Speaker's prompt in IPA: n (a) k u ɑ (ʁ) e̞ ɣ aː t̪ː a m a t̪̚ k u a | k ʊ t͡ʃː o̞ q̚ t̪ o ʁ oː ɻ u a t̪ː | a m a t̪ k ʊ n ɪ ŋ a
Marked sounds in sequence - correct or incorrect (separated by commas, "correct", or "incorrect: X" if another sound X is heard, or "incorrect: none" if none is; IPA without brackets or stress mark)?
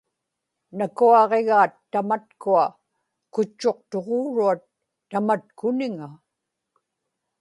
correct, correct